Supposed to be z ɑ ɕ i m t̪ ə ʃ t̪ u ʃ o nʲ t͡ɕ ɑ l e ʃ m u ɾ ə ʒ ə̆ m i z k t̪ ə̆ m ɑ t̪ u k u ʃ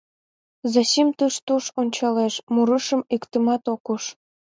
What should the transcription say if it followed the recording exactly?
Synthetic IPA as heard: z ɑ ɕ i m t̪ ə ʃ t̪ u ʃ o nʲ t͡ɕ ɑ l e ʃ m u ɾ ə ʃ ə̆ m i k t̪ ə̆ m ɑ t̪ o k u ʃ